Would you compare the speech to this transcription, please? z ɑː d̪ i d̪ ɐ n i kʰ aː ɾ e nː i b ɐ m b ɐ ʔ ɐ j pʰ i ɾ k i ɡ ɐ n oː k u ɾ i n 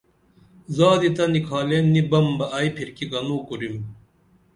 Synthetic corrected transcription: z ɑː d̪ i t̪ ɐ n i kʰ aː l e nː i b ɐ m b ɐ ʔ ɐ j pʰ i ɾ k i ɡ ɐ n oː k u ɾ i m